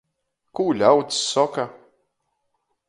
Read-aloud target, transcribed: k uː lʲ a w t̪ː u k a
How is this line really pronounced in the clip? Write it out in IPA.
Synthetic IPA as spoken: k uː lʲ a w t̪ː ɔ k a